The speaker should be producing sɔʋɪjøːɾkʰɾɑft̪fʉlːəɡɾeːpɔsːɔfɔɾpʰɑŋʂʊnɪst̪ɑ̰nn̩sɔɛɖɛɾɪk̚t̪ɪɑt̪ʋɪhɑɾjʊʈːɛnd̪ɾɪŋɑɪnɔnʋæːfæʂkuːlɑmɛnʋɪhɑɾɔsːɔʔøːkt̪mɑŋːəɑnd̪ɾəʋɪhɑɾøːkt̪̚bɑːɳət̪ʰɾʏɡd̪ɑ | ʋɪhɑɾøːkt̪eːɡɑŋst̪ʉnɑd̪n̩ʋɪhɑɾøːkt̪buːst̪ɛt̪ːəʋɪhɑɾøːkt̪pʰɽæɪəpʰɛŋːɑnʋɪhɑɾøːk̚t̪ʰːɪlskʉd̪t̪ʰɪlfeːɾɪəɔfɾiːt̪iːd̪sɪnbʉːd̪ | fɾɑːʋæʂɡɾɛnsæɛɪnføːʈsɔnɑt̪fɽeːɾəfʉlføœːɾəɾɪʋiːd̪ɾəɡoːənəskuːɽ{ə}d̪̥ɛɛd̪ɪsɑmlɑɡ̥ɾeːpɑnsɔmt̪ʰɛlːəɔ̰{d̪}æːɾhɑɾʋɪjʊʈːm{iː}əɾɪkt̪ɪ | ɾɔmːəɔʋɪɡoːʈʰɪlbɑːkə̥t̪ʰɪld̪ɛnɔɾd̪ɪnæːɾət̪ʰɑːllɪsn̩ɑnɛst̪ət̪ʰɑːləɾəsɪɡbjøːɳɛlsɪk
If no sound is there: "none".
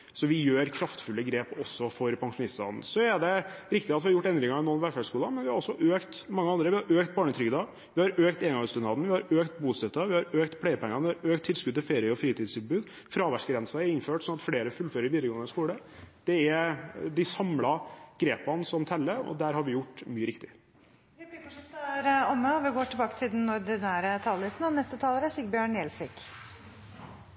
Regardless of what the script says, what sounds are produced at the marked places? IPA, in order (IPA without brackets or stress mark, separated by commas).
ə, d̪, yː